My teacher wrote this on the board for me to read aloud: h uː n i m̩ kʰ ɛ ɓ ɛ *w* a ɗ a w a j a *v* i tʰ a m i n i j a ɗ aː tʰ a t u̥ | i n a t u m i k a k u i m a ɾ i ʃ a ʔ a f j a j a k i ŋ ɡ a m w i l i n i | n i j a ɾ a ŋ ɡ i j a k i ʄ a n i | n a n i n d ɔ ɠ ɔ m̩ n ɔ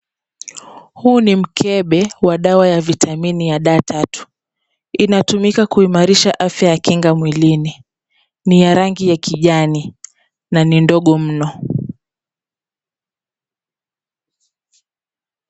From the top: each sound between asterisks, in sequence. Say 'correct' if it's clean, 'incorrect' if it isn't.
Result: correct, correct

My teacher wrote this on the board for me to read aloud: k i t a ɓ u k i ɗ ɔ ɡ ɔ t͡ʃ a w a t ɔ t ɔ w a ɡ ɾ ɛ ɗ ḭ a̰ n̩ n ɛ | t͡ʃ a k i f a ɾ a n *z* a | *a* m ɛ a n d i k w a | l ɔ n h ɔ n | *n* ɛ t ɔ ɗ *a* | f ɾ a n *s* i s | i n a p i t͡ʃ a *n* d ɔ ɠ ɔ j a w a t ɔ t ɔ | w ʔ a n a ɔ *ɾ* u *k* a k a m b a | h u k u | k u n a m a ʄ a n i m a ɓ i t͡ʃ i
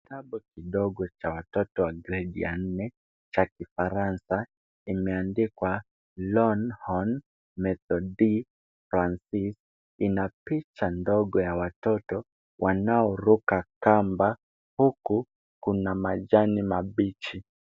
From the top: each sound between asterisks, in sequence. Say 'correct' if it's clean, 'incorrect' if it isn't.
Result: incorrect, incorrect, incorrect, incorrect, correct, correct, correct, correct

